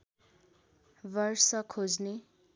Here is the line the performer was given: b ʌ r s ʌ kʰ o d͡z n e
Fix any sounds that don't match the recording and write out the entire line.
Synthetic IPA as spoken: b ʌ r s ʌ kʰ o d͡z n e

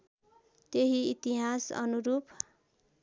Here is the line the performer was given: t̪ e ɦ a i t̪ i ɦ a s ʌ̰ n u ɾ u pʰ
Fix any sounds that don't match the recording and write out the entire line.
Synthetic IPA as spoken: t̪ e ɦ i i t̪ i ɦ a s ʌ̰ n u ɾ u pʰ

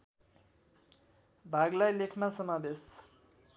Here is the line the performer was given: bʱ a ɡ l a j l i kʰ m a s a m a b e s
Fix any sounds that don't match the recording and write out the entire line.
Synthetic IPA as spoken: bʱ a ɡ l a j l e kʰ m a s ʌ m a b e s

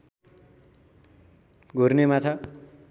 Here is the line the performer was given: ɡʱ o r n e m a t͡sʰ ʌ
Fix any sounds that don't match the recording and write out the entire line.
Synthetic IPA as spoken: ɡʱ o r n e m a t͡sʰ ʌ

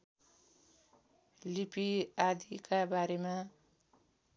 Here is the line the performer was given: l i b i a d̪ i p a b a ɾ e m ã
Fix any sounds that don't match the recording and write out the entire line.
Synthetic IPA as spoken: l i p i a d̪ i k a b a ɾ e m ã

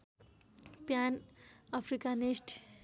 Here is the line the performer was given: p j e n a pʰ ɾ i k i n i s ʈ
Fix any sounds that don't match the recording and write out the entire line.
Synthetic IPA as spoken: p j a n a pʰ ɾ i k a n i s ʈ

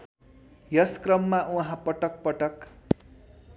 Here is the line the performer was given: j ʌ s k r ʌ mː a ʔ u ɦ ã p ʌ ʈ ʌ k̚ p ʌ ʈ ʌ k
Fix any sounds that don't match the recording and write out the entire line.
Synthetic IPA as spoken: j ʌ s k r ʌ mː a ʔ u ɦ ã p ʌ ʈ ʌ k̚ p ʌ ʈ ʌ k

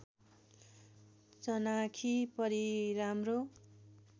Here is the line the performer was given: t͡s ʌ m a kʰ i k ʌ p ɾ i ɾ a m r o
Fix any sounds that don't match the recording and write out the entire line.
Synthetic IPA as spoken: t͡s ʌ n a kʰ i p ʌ ɾ i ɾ a m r o

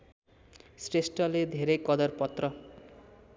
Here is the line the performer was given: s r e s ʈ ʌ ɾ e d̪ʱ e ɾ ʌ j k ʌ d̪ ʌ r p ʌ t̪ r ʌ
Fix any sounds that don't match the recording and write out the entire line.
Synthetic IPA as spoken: s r e s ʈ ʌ l e d̪ʱ e ɾ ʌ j k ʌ d̪ ʌ r p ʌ t̪ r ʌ

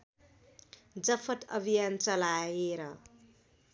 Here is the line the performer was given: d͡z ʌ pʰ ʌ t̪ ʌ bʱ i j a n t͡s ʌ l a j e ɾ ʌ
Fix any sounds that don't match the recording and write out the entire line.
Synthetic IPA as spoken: d͡z ʌ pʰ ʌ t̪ ʌ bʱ i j a n t͡s ʌ l a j e ɾ ʌ

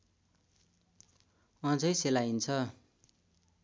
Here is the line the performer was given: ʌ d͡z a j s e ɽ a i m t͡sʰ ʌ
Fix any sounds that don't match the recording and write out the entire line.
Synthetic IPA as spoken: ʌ d͡z ʌ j s e l a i n t͡sʰ ʌ

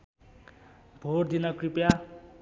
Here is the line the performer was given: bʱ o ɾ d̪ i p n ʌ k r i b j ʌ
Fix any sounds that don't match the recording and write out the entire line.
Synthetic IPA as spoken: bʱ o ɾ d̪ i n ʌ k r i p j a

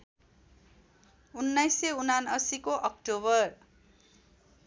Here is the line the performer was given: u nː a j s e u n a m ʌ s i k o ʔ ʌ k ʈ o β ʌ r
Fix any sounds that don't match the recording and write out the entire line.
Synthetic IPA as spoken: u nː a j s e u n a n ʌ s i k o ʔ ʌ k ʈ o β ʌ r

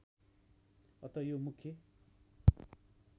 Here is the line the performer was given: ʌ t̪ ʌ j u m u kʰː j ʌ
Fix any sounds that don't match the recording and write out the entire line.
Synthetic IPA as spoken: ʌ t̪ ʌ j o m u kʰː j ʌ

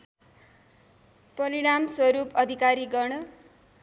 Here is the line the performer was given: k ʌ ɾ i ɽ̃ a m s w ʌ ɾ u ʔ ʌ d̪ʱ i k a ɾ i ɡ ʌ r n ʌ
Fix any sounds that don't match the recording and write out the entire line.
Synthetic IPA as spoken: p ʌ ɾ i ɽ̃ a m s w ʌ ɾ u p ʌ d̪ʱ i k a ɾ i ɡ ʌ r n ʌ

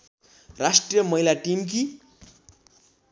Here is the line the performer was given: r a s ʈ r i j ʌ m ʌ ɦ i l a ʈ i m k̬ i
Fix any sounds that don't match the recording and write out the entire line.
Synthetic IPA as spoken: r a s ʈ r i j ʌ m ʌ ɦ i l a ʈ i m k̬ i

